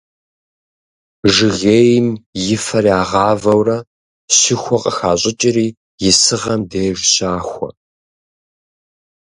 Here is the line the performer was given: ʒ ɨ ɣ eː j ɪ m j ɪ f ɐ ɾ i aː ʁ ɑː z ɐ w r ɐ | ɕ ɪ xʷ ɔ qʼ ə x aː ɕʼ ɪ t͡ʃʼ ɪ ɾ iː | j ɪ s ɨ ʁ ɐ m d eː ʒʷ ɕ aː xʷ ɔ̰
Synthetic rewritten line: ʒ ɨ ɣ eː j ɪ m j ɪ f ɐ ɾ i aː ʁ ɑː v ɐ w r ɐ | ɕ ɪ xʷ ɔ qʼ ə x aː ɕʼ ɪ t͡ʃʼ ɪ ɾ iː | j ɪ s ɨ ʁ ɐ m d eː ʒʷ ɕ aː xʷ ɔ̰